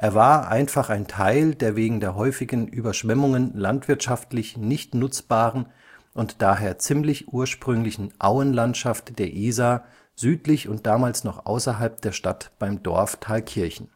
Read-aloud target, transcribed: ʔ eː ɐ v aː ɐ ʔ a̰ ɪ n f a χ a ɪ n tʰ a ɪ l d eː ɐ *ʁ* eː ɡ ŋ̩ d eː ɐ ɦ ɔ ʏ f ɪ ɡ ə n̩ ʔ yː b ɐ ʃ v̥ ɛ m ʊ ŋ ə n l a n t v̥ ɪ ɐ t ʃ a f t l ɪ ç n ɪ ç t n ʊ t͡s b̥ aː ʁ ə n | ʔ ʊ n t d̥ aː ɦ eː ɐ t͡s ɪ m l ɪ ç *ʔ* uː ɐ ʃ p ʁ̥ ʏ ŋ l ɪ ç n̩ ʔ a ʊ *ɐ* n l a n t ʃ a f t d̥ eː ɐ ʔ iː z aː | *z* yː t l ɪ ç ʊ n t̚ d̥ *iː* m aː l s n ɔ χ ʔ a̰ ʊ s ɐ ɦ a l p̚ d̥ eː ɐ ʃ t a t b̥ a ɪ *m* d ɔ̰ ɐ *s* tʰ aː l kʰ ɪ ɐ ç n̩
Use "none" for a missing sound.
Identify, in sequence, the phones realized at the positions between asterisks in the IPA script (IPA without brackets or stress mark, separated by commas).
v, ʔ, ə, z, aː, m, f